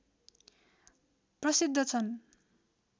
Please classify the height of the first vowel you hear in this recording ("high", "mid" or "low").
mid